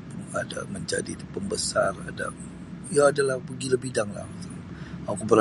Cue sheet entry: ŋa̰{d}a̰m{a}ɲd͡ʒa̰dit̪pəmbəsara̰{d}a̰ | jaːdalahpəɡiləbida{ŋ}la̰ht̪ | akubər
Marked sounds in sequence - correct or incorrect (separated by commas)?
correct, incorrect, correct, correct